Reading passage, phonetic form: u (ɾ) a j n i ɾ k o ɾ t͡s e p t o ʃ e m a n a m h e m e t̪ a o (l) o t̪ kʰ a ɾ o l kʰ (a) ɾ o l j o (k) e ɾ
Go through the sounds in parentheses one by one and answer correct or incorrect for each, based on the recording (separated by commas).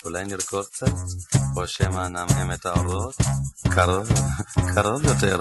incorrect, incorrect, correct, incorrect